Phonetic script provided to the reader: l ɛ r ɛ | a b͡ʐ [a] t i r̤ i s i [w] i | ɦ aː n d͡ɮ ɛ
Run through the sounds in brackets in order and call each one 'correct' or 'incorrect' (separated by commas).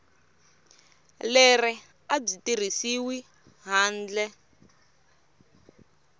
incorrect, correct